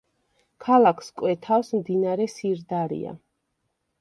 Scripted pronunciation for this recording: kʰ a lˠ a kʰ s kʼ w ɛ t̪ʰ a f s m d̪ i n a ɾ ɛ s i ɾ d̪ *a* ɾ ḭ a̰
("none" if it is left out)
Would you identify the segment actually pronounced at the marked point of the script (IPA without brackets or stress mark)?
a